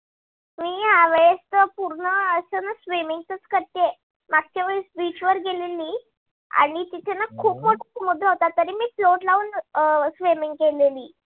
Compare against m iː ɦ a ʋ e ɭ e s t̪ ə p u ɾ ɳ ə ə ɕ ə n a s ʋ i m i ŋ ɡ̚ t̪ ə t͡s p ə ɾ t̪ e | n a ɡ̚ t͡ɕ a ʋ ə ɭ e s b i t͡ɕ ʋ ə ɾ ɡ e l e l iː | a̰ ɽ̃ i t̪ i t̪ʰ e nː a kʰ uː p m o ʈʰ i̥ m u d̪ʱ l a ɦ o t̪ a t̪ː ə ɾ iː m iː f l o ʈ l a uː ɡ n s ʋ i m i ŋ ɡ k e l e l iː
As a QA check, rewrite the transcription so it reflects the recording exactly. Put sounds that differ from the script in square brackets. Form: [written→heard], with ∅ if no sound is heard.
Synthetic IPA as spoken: m iː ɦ a ʋ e ɭ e s t̪ ə p u ɾ ɳ ə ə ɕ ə n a s ʋ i m i ŋ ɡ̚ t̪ ə t͡s [p→k] ə ɾ t̪ e | [n→m] a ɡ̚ t͡ɕ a ʋ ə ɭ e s b i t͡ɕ ʋ ə ɾ ɡ e l e l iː | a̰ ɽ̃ i t̪ i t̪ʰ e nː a kʰ uː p m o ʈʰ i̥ m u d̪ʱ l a ɦ o t̪ a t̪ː ə ɾ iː m iː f l o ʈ l a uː [ɡ→∅] n s ʋ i m i ŋ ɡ k e l e l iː